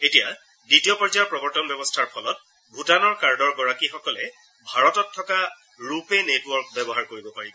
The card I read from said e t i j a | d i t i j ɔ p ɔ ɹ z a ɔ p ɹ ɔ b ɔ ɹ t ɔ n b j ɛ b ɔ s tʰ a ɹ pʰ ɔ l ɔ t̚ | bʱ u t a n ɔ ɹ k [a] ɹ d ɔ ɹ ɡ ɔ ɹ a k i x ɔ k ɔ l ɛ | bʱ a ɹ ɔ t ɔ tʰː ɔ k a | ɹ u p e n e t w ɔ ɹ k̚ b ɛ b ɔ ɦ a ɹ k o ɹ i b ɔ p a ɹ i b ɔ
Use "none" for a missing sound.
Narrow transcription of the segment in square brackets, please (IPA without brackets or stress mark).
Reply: a